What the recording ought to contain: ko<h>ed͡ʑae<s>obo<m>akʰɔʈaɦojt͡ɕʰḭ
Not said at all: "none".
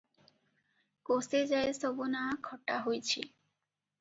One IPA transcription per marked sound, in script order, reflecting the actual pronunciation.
s, s, n

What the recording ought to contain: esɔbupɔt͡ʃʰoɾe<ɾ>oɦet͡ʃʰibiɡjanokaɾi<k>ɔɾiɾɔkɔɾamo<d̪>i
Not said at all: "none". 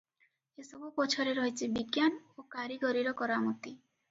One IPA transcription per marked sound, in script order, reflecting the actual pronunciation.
ɾ, ɡ, t̪

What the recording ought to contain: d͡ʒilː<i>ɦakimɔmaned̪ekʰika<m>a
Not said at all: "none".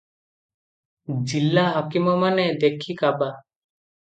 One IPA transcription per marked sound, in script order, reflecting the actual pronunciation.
a, b

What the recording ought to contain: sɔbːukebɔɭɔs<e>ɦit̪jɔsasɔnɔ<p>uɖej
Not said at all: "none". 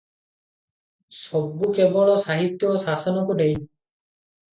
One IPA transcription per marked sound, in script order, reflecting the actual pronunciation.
a, k

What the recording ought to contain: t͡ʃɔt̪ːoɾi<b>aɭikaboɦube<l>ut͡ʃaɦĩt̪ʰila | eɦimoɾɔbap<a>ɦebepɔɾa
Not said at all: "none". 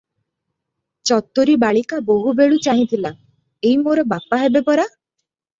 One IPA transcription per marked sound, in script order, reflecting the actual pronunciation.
b, ɭ, a

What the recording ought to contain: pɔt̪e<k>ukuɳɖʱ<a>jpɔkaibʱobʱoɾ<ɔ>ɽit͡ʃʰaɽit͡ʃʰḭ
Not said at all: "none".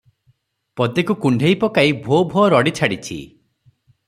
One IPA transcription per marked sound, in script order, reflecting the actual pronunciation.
k, e, ɔ

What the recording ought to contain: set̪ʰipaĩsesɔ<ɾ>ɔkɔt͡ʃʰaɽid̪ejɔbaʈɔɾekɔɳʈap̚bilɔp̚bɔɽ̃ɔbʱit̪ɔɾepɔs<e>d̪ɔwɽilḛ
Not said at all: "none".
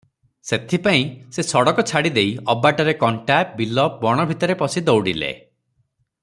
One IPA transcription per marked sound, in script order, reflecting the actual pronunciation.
ɽ, i

